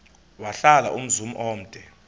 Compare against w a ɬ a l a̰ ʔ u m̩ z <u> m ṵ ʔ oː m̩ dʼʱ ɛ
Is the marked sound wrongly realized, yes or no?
no